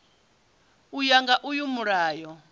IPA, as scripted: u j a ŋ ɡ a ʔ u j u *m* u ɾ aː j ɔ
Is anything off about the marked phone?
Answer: no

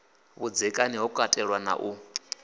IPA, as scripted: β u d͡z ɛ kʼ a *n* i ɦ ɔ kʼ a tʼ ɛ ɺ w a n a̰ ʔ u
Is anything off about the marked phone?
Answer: no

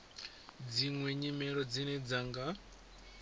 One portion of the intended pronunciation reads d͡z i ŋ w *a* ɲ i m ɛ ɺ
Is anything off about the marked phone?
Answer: yes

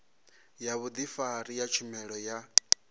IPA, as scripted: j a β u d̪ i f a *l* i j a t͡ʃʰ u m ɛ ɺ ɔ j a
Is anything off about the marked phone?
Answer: yes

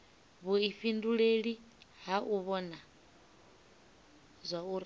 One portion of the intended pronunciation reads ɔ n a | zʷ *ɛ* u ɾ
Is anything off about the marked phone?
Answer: yes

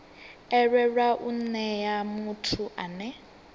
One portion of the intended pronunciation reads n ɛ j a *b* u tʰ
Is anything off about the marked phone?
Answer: yes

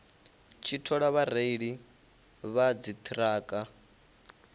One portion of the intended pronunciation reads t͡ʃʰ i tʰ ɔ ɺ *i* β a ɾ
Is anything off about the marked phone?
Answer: yes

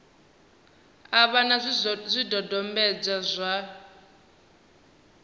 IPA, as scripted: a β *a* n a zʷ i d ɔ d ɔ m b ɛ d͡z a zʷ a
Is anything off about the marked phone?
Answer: no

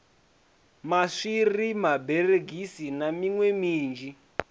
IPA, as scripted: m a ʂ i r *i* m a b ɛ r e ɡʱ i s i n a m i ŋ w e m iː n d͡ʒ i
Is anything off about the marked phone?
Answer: no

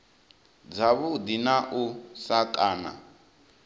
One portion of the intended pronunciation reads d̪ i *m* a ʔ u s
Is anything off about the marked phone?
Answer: yes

